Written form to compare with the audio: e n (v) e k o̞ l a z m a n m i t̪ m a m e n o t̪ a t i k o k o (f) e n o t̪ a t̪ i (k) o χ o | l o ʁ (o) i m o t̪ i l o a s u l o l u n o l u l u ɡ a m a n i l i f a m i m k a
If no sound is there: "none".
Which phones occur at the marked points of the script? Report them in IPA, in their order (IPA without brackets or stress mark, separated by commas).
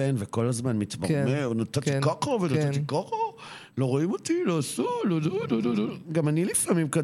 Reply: v, v, k, o